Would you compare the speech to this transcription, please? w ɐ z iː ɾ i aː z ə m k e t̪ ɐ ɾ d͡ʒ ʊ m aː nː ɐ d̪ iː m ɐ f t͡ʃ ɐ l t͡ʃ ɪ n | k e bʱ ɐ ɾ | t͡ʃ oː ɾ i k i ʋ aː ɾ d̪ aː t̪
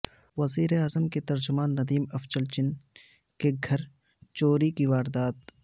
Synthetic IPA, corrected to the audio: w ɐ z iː ɾ e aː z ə m k e t̪ ɐ ɾ d͡ʒ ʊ m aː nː ɐ d̪ iː m ɐ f t͡ʃ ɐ l t͡ʃ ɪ n | k e ɡʱ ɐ ɾ | t͡ʃ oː ɾ i k i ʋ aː ɾ d̪ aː t̪

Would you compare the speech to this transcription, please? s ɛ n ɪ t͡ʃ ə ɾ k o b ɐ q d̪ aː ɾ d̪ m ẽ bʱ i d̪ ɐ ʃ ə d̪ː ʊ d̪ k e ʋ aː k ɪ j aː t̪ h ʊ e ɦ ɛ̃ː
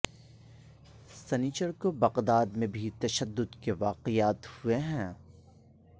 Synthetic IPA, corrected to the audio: s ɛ n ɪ t͡ʃ ə ɾ k o b ɐ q d̪ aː d̪ m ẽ bʱ i t̪ ɐ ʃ ə d̪ː ʊ d̪ k e ʋ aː q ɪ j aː t̪ h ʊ e ɦ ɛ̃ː

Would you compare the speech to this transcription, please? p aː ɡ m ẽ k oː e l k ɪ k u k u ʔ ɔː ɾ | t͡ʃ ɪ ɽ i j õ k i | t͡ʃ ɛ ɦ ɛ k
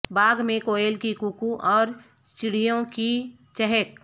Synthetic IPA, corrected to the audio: b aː ɡ m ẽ k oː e l k i k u k u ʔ ɔː ɾ | t͡ʃ ɪ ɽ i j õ k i | t͡ʃ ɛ ɦ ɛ k

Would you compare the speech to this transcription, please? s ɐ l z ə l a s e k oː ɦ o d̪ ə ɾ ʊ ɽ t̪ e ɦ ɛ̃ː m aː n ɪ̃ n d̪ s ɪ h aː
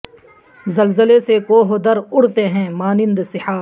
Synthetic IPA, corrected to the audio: z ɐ l z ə l e s e k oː ɦ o d̪ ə ɾ ʊ ɽ t̪ e ɦ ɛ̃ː m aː n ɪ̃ n d̪ s ɪ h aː

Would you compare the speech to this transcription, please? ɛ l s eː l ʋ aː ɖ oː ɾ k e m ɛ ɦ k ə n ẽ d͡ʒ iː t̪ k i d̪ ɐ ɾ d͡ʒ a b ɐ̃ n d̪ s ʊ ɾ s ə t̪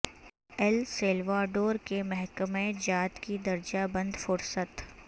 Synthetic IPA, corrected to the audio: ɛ l s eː l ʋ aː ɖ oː ɾ k e m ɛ ɦ k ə m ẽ d͡ʒ aː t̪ k i d̪ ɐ ɾ d͡ʒ a b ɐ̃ n d̪ f ʊ ɾ s ə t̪

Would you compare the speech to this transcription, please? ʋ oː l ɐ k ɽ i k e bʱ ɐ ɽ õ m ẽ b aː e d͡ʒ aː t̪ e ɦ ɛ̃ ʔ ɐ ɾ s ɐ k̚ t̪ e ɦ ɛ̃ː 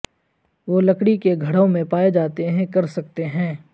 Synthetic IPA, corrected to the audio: ʋ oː l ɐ k ɽ i k e ɡʱ ɐ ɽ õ m ẽ p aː e d͡ʒ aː t̪ e ɦ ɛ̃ k ɐ ɾ s ɐ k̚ t̪ e ɦ ɛ̃ː

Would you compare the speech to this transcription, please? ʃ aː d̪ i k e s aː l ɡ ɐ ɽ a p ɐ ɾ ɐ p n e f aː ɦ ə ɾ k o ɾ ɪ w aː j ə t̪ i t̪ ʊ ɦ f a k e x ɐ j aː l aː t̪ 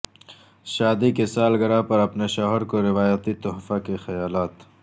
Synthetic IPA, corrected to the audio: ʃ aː d̪ i k e s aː l ɡ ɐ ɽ a p ɐ ɾ ɐ p n e ʃ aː ɦ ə ɾ k o ɾ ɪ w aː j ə t̪ i t̪ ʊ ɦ f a k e x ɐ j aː l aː t̪

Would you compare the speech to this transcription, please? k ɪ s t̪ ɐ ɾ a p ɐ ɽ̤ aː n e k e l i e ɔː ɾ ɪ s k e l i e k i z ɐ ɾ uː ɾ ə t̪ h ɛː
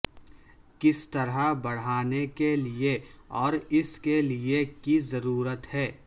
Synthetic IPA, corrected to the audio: k ɪ s t̪ ɐ ɾ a b ɐ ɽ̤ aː n e k e l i e ɔː ɾ ɪ s k e l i e k i z ɐ ɾ uː ɾ ə t̪ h ɛː

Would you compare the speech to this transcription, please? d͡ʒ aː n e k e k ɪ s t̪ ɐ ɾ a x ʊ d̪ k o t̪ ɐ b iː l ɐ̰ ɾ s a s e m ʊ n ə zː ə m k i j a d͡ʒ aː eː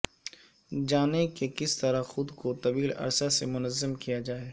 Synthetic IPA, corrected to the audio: d͡ʒ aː n e k e k ɪ s t̪ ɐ ɾ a x ʊ d̪ k o t̪ ɐ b iː l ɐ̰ ɾ s a s e m ʊ n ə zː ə m k i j a d͡ʒ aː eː

